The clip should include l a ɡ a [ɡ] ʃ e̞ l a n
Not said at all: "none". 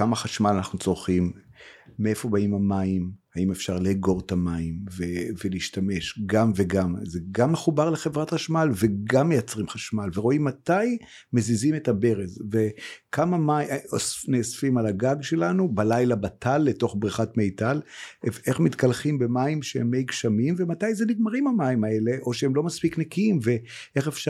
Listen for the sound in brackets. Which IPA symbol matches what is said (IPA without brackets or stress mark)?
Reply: ɡ